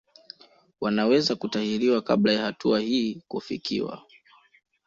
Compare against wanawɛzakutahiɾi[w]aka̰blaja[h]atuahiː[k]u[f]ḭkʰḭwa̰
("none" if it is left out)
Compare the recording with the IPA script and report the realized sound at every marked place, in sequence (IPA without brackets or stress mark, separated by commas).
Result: w, h, k, f